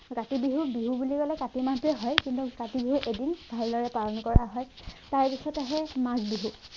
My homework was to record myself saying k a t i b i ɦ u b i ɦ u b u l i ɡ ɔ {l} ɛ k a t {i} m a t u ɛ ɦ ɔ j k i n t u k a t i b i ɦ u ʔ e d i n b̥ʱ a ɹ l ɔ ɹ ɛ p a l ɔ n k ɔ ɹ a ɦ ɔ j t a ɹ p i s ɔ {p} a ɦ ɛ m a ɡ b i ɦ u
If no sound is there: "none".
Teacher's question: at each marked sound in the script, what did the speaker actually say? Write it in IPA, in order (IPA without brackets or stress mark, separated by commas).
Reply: l, i, t